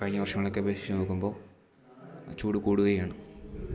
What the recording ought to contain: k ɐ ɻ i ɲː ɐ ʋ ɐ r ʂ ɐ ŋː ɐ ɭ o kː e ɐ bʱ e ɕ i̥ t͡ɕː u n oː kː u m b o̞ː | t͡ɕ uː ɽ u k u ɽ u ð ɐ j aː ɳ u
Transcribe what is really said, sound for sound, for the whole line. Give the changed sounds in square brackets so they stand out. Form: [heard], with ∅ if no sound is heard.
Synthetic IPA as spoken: k ɐ ɻ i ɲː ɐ ʋ ɐ r ʂ ɐ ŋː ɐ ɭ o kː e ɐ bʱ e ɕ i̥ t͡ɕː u n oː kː u m b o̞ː | t͡ɕ uː ɽ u k [uː] ɽ u [ɣ] ɐ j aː ɳ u